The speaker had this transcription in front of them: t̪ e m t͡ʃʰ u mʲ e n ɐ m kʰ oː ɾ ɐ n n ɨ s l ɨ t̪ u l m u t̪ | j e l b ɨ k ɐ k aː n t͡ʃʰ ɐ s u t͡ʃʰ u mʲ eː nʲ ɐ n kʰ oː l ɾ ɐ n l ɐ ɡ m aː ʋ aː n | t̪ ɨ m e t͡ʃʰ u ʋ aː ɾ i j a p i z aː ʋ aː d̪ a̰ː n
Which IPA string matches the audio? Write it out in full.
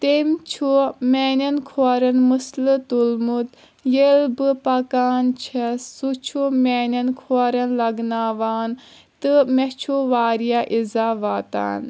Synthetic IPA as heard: t̪ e m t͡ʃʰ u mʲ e n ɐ n kʰ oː ɾ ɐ n m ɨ s l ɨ t̪ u l m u t̪ | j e l b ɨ p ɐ k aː n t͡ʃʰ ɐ s u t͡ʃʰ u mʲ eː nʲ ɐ n kʰ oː ɾ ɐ n l ɐ ɡ n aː ʋ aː n | t̪ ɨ m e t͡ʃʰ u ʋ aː ɾ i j a ʔ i z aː ʋ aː t̪ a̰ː n